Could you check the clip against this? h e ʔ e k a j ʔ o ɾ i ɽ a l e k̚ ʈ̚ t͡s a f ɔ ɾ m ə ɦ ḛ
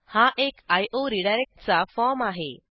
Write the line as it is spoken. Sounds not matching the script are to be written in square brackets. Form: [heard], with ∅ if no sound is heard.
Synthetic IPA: h [a] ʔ e k a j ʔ o ɾ i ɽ a [ɾ] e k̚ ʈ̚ t͡s a f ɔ ɾ m [a] ɦ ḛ